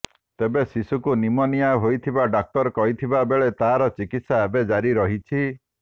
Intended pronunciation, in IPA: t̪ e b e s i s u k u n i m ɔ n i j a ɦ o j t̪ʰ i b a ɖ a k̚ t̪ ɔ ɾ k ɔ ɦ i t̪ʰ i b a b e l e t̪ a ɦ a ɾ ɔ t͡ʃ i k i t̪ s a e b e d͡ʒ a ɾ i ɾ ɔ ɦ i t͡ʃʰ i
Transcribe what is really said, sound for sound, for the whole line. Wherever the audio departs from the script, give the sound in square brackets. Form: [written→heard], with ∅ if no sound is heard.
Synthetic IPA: t̪ e b e s i s u k u n i m ɔ n i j a ɦ o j t̪ʰ i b a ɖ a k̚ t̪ ɔ ɾ k ɔ ɦ i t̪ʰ i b a b e [l→ɭ] e t̪ a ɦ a ɾ ɔ t͡ʃ i k i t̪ s a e b e d͡ʒ a ɾ i ɾ ɔ ɦ i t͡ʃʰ i